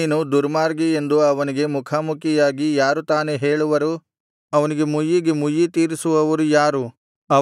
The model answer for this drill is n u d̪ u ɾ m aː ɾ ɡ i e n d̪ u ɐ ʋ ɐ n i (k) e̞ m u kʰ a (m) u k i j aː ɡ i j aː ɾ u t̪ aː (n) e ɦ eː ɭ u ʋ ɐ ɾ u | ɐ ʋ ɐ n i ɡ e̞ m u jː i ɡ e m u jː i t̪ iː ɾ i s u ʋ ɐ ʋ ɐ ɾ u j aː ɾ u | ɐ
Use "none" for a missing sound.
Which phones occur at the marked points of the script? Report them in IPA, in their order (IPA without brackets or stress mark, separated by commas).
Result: ɡ, m, n